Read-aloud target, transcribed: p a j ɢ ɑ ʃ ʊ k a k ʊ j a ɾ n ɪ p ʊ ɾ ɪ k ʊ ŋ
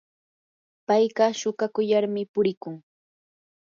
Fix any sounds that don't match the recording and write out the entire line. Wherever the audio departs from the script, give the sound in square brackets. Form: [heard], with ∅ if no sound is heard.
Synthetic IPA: p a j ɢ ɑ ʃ ʊ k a k ʊ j a ɾ [m] ɪ p ʊ ɾ ɪ k ʊ ŋ

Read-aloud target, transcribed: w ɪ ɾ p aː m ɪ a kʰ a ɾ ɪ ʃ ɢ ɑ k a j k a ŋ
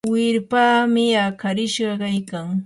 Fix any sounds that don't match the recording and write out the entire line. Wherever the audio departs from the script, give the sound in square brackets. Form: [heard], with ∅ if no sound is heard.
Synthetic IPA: w ɪ ɾ p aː m ɪ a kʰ a ɾ ɪ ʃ ɢ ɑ k a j k a ŋ

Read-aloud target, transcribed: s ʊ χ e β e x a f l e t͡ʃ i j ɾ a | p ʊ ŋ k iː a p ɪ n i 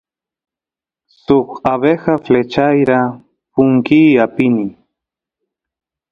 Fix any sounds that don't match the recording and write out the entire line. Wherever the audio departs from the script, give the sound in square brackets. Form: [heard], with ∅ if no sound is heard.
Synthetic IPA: s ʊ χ [a] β e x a f l e t͡ʃ [a] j ɾ a | p ʊ ŋ k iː a p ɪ n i

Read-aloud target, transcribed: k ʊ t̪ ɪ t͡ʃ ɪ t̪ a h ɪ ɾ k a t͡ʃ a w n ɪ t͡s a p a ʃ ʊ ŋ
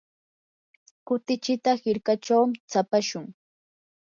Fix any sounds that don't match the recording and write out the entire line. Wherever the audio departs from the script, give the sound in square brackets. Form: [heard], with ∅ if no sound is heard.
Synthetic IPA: k ʊ t̪ ɪ t͡ʃ ɪ t̪ a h ɪ ɾ k a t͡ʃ a w [m] ɪ t͡s a p a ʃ ʊ ŋ

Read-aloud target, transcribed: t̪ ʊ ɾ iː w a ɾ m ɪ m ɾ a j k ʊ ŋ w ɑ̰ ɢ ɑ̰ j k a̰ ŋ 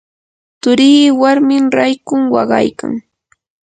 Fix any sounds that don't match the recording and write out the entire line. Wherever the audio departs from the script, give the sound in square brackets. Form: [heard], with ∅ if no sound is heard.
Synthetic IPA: t̪ ʊ ɾ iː w a ɾ m ɪ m ɾ a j k ʊ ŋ w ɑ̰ ɢ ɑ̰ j k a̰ ŋ

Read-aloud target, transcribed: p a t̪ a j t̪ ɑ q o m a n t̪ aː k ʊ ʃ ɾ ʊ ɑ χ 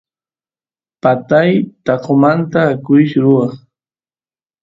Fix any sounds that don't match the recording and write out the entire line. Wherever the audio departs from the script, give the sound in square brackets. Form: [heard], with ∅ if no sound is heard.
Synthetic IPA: p a t̪ a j t̪ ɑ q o m a n t̪ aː k ʊ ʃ ɾ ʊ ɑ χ

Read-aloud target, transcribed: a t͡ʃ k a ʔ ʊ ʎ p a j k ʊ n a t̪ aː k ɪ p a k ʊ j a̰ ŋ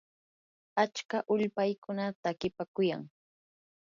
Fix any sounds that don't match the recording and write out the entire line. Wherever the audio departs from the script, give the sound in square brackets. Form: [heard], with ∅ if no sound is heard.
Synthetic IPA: a t͡ʃ k a ʔ ʊ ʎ p a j k ʊ n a t̪ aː k ɪ p a k ʊ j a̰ ŋ

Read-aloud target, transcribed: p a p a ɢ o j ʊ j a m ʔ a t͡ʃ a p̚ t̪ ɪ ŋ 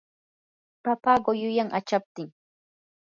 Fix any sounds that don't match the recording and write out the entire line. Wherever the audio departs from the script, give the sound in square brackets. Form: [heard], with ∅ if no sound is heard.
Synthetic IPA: p a p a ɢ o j ʊ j a [ŋ] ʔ a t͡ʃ a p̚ t̪ ɪ ŋ

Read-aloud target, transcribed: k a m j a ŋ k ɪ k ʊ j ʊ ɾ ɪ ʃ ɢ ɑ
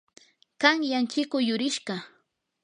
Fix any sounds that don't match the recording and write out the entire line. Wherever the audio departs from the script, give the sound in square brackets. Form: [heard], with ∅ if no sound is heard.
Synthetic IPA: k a [ŋ] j a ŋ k ɪ k ʊ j ʊ ɾ ɪ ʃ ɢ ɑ

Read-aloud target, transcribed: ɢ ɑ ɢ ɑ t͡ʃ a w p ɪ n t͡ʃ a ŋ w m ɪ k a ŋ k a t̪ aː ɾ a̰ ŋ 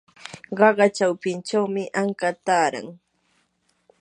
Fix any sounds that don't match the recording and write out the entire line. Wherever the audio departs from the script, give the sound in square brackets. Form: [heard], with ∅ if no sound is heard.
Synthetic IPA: ɢ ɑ ɢ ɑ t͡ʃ a w p ɪ n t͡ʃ a [∅] w m ɪ [ʔ] a ŋ k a t̪ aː ɾ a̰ ŋ

